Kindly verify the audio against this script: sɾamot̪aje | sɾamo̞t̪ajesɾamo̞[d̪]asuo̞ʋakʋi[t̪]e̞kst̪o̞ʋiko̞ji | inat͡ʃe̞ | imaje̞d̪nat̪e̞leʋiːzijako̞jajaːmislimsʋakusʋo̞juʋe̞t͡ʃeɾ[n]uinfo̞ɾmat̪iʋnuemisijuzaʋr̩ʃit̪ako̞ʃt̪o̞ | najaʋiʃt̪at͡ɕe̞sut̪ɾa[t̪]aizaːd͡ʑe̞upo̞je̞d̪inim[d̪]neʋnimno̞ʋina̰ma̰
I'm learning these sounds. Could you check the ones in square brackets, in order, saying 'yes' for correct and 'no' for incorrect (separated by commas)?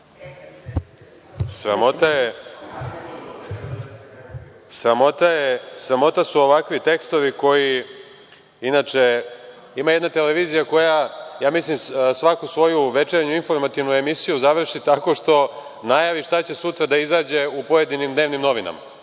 no, yes, no, no, yes